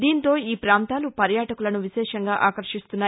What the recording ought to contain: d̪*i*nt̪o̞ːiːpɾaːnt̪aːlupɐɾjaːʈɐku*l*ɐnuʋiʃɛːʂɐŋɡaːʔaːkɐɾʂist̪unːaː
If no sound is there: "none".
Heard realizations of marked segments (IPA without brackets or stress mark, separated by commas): iː, l